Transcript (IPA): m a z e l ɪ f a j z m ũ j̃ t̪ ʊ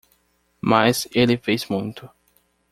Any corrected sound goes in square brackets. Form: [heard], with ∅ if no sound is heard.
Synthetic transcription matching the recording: m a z e l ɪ f [e] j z m ũ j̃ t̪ ʊ